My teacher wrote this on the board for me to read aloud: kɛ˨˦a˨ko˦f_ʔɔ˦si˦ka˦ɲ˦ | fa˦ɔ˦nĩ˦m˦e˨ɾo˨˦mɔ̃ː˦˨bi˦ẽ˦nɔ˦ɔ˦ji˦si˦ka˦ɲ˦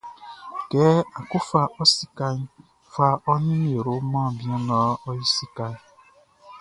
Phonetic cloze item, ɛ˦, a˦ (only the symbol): a˦